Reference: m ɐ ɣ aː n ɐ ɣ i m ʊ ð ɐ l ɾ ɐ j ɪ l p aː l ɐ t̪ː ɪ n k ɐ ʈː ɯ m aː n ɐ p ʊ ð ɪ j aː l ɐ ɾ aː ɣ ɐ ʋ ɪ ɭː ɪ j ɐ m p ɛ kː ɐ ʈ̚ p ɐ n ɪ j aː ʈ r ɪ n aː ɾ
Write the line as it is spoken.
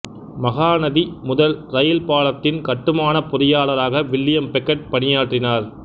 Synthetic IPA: m ɐ ɣ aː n ɐ ð i m ʊ ð ɐ l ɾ ɐ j ɪ l p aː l ɐ t̪ː ɪ n k ɐ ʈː ɯ m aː n ɐ p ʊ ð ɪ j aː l ɐ ɾ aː ɣ ɐ ʋ ɪ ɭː ɪ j ɐ m p ɛ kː ɐ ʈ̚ p ɐ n ɪ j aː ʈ r ɪ n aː ɾ

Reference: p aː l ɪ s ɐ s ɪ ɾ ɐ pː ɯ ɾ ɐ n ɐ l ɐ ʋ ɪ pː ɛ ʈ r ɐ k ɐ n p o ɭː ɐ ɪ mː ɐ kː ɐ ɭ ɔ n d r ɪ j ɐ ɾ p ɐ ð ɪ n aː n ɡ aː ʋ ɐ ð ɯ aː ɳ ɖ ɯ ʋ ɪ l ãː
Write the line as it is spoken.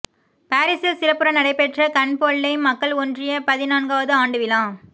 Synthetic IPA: p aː ɾ ɪ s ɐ s ɪ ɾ ɐ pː ɯ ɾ ɐ n ɐ ɽ ɐ ɪ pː ɛ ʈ r ɐ k ɐ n p o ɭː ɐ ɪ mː ɐ kː ɐ ɭ ɔ n d r ɪ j ɐ p ɐ ð ɪ n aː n ɡ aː ʋ ɐ ð ɯ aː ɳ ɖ ɯ ʋ ɪ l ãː

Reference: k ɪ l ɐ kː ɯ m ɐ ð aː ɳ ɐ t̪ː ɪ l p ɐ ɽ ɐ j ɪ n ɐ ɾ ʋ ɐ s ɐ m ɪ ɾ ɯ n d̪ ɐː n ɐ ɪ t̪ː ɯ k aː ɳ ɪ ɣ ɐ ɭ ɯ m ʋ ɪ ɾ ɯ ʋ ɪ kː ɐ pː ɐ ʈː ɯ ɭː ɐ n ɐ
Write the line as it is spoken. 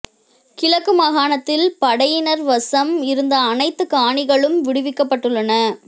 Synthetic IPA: k ɪ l ɐ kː ɯ m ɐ ɣ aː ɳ ɐ t̪ː ɪ l p ɐ ɽ ɐ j ɪ n ɐ ɾ ʋ ɐ s ɐ m ɪ ɾ ɯ n d̪ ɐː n ɐ ɪ t̪ː ɯ k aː ɳ ɪ ɣ ɐ ɭ ɯ m ʋ ɪ ɽ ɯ ʋ ɪ kː ɐ pː ɐ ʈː ɯ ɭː ɐ n ɐ

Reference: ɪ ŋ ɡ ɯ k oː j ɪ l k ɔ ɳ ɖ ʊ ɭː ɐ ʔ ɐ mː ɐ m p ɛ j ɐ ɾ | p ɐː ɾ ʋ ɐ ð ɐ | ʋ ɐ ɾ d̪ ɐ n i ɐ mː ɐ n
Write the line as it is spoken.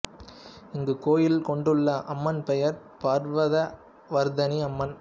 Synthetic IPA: ɪ ŋ ɡ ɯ k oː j ɪ l k ɔ ɳ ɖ ɯ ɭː ɐ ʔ ɐ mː ɐ n p ɛ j ɐ ɾ | p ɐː ɾ ʋ ɐ ð ɐ | ʋ ɐ ɾ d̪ ɐ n i ɐ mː ɐ n

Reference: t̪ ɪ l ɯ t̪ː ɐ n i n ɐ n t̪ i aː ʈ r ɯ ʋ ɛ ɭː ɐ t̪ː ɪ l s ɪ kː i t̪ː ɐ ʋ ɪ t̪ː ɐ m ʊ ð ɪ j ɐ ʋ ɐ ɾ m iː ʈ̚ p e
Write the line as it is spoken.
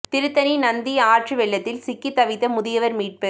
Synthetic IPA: t̪ ɪ ɾ ɯ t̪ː ɐ n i n ɐ n d̪ i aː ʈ r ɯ ʋ ɛ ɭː ɐ t̪ː ɪ l s ɪ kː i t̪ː ɐ ʋ ɪ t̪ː ɐ m ʊ ð ɪ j ɐ ʋ ɐ ɾ m iː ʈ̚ p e

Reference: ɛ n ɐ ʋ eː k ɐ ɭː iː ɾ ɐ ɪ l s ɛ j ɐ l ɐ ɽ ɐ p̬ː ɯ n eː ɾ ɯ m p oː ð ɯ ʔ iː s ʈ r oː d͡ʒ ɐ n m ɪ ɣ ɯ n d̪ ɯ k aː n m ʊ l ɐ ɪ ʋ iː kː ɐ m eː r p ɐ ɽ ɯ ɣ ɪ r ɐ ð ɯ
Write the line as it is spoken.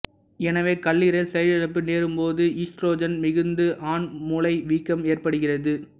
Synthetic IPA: ɛ n ɐ ʋ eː k ɐ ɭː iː ɾ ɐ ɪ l s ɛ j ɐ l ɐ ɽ ɐ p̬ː ɯ n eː ɾ ɯ m p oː ð ɯ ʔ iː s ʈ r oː d͡ʒ ɐ n m ɪ ɣ ɯ n d̪ ɯ ʔ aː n m ʊ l ɐ ɪ ʋ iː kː ɐ m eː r p ɐ ɽ ɯ ɣ ɪ r ɐ ð ɯ

